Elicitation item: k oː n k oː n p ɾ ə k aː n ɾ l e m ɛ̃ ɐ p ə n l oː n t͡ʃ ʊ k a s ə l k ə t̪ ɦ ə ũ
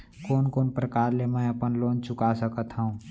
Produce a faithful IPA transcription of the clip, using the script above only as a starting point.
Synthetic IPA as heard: k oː n k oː n p ɾ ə k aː ɾ l e m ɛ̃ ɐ p ə n l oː n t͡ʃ ʊ k a s ə k ə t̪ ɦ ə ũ

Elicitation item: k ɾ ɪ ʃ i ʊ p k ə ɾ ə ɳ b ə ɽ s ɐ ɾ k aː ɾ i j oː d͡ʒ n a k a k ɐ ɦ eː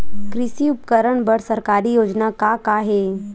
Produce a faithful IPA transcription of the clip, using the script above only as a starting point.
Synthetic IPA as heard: k ɾ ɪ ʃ i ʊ p k ə ɾ ə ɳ b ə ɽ s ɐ ɾ k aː ɾ i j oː d͡ʒ n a k a k a ɦ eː

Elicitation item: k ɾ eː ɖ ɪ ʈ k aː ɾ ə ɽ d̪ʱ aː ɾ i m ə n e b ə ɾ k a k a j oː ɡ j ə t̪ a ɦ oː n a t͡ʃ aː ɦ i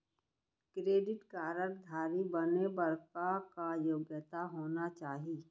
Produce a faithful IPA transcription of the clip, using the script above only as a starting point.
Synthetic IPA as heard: k ɾ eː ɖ ɪ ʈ k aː ɾ ə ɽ d̪ʱ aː ɾ i b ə n e b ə ɾ k a k a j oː ɡ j ə t̪ a ɦ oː n a t͡ʃ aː ɦ i

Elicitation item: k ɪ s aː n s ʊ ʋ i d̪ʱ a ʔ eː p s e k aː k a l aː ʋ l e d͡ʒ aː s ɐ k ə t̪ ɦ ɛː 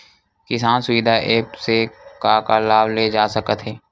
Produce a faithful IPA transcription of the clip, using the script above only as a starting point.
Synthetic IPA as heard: k ɪ s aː n s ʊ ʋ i d̪ʱ a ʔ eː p s e k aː k a l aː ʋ l e d͡ʒ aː s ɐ k ə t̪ ɦ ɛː

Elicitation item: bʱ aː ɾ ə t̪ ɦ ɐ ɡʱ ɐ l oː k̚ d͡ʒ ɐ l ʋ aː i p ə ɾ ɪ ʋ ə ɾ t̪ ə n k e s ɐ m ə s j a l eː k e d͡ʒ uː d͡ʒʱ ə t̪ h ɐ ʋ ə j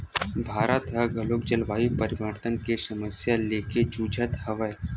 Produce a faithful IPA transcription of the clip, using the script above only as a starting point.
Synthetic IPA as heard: bʱ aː ɾ ə t̪ ɦ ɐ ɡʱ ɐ l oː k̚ d͡ʒ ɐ l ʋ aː i p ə ɾ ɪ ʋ ə ɾ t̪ ə n k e s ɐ m ə s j a l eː k e d͡ʒ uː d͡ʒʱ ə t̪ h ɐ ʋ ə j

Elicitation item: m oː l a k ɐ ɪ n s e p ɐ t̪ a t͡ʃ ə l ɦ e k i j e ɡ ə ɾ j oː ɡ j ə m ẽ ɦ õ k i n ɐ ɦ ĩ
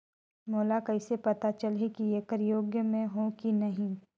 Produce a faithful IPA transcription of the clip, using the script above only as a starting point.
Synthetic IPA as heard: m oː l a k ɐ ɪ s e p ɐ t̪ a t͡ʃ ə l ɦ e k i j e k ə ɾ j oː ɡ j ə m ẽ ɦ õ k i n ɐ ɦ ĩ

